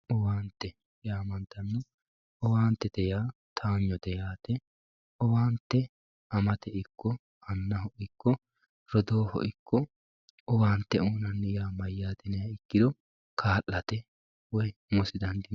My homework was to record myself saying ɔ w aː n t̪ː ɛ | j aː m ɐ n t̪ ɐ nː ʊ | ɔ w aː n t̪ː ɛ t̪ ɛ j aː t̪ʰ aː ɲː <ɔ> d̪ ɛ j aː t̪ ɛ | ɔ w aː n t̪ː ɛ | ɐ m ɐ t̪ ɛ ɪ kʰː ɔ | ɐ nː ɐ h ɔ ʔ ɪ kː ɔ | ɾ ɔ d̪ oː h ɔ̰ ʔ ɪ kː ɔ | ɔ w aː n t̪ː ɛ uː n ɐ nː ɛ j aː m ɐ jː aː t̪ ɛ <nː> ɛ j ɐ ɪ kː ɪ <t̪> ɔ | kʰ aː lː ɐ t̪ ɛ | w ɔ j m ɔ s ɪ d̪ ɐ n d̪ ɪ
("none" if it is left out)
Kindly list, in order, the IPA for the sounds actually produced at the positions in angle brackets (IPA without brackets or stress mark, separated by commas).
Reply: ɔ, n, d̪